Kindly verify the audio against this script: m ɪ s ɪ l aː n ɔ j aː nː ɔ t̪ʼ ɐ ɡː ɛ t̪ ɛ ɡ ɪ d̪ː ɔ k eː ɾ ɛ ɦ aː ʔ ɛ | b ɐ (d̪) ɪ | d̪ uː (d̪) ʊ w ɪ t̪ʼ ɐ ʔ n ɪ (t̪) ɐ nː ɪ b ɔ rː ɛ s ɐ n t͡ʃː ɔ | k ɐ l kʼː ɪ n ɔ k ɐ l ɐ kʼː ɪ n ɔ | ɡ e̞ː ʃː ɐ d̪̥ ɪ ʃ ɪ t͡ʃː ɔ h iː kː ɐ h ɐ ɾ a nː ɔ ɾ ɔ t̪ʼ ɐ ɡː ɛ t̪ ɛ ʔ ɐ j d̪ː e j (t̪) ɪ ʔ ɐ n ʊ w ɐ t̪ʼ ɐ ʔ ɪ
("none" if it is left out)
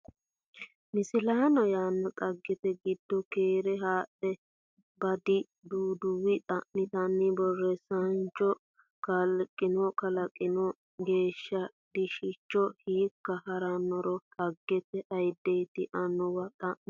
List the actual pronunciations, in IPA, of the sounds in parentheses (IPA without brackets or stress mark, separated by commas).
d̪, d̪, t̪, t̪